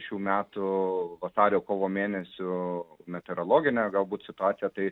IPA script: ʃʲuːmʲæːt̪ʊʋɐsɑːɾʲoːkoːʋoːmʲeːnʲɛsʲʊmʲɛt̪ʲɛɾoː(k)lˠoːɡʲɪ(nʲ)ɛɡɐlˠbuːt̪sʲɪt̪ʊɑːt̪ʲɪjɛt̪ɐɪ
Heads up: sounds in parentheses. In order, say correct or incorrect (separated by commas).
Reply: incorrect, correct